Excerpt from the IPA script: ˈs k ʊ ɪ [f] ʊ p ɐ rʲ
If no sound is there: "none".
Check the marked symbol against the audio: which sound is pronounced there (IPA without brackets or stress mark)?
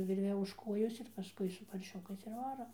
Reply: s